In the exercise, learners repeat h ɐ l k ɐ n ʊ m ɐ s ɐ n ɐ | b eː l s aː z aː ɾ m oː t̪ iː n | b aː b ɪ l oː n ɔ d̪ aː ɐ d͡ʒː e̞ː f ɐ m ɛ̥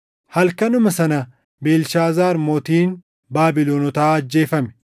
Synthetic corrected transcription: h ɐ l k ɐ n ʊ m ɐ s ɐ n ɐ | b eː l ʃ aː z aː ɾ m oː t̪ iː n | b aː b ɪ l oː n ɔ t̪ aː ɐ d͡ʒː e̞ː f ɐ m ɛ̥